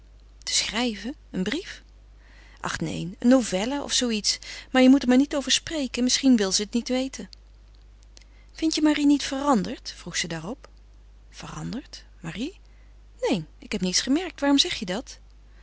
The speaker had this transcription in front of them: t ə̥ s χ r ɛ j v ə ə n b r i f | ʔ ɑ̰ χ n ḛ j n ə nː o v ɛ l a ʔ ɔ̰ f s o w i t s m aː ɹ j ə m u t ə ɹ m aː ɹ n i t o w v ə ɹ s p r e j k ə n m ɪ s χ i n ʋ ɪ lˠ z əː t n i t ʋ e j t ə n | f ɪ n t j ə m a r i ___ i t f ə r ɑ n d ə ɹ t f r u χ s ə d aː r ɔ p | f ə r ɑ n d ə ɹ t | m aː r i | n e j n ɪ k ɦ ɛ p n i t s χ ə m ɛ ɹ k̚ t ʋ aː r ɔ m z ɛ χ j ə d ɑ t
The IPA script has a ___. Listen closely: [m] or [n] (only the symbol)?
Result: n